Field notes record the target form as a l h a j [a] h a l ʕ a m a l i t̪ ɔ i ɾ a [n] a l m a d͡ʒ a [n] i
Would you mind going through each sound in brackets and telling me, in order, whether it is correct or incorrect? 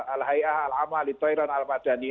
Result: correct, correct, correct

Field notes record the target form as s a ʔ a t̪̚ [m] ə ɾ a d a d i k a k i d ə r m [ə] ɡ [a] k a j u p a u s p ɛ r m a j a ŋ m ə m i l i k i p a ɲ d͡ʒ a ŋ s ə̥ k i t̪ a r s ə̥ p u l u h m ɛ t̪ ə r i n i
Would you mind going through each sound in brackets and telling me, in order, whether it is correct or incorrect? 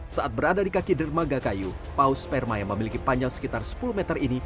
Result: incorrect, incorrect, correct

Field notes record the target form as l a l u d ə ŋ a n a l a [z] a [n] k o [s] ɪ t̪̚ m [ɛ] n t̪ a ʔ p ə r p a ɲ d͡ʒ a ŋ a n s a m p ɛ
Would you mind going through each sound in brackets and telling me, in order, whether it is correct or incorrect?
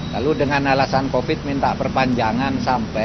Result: incorrect, correct, incorrect, incorrect

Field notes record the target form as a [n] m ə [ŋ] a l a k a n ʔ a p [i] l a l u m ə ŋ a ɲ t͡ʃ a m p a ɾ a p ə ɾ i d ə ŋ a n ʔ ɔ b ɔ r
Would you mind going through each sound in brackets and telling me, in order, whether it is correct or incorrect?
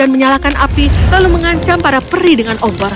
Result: correct, incorrect, correct

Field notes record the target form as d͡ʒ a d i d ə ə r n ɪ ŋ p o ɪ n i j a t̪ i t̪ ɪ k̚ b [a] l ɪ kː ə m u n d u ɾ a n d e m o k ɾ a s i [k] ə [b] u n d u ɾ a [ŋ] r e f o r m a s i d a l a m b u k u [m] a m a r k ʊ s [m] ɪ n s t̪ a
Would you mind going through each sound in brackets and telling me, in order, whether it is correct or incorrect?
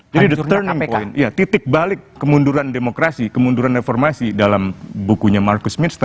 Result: correct, correct, incorrect, incorrect, incorrect, correct

